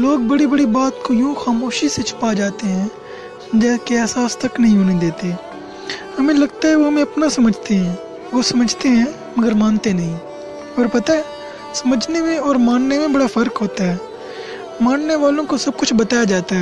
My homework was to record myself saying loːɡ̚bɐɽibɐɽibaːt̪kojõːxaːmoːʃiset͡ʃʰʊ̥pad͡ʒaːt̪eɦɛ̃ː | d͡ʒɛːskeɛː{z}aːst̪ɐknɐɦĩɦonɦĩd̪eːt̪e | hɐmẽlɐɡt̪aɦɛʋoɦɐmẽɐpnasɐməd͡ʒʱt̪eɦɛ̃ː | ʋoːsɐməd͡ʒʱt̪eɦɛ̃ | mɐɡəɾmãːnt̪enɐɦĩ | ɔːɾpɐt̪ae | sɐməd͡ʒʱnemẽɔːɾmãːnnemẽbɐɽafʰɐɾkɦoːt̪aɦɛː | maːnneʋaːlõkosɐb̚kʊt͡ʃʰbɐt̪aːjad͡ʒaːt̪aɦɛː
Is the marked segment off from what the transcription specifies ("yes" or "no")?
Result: yes